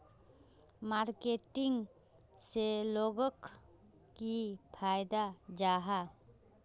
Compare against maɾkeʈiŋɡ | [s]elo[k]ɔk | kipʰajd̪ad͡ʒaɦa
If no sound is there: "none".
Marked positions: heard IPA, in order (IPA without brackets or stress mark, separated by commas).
s, ɡ